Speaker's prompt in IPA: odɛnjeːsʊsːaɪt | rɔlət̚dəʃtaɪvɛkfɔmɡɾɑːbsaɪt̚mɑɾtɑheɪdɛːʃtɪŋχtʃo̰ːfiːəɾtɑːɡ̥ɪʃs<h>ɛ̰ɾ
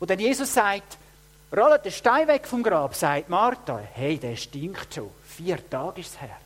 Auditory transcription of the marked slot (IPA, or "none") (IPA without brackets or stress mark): h